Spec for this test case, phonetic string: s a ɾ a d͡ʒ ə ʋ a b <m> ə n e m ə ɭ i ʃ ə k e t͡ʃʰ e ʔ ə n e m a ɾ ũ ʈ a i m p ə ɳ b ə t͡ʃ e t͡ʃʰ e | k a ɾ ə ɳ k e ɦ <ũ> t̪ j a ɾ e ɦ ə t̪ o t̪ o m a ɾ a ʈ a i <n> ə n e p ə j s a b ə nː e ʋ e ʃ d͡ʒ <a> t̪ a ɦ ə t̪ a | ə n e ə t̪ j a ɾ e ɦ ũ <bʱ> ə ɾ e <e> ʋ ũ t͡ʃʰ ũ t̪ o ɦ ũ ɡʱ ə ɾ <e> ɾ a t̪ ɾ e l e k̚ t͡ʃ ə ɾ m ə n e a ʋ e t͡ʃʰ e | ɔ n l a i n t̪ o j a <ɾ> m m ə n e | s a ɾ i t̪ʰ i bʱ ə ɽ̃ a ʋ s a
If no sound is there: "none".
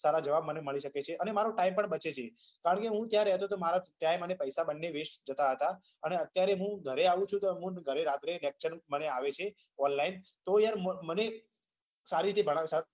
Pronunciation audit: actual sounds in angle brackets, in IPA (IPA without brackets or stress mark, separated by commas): m, ũ, m, ə, ɡʱ, a, e, ɾ